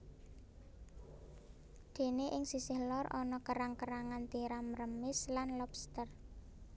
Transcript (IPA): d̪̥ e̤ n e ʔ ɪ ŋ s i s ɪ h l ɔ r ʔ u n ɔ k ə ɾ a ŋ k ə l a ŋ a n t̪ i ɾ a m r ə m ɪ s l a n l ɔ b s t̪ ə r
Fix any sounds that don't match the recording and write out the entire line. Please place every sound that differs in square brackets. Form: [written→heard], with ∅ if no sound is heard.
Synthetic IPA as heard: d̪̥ e̤ n e ʔ ɪ ŋ s i s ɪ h l ɔ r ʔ [u→ɔ] n ɔ k ə ɾ a ŋ k ə [l→ɾ] a ŋ a n t̪ i ɾ a m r ə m ɪ s l a n l ɔ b s t̪ ə r